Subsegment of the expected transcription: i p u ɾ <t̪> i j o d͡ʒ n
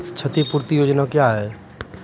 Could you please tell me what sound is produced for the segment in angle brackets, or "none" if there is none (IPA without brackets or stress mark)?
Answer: t̪